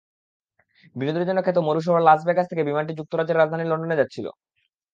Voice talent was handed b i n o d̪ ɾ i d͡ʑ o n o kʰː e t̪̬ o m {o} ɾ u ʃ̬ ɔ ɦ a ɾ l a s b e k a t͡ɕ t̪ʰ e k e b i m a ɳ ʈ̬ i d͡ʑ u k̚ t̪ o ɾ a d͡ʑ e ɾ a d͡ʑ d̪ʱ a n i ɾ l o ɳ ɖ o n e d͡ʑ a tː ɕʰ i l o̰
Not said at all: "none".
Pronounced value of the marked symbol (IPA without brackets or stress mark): o